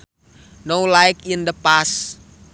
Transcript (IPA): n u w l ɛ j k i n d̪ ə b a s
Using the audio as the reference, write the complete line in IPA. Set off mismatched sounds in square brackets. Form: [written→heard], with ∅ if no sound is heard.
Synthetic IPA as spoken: n [u→o] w l [ɛ→a] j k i n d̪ ə [b→p] a s